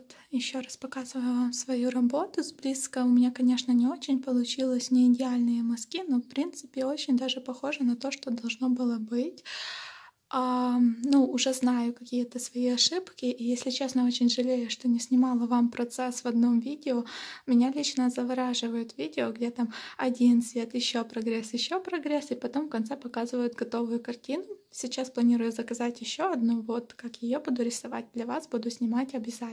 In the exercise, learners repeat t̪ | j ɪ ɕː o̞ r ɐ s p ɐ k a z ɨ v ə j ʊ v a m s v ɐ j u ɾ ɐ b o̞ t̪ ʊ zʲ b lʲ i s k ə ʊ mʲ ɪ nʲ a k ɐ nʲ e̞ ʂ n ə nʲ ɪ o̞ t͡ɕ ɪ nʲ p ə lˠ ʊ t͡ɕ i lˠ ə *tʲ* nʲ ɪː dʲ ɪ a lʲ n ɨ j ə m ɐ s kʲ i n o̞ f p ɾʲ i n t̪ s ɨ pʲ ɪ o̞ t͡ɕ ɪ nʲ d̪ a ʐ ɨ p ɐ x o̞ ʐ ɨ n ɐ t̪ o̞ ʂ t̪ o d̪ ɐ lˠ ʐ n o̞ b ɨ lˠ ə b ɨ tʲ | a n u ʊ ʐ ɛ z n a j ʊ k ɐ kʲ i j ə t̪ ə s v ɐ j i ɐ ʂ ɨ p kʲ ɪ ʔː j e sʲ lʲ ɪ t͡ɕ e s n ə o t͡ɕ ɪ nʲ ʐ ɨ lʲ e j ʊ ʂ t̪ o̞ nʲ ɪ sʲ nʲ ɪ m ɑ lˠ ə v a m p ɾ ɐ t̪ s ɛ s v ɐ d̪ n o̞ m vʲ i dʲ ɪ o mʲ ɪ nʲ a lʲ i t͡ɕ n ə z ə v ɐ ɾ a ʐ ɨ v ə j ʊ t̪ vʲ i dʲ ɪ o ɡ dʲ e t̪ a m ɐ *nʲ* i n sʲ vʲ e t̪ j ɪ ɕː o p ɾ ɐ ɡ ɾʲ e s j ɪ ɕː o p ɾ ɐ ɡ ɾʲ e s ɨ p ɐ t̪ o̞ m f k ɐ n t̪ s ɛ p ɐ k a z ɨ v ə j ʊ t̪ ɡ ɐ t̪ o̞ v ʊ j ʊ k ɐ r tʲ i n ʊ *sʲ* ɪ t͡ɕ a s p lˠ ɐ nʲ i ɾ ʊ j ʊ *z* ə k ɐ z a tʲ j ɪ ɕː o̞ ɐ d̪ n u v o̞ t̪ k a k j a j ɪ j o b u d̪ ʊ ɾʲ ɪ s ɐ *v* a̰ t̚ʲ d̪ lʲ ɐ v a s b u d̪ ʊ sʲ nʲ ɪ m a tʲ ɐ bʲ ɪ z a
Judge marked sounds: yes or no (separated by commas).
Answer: no, no, yes, yes, yes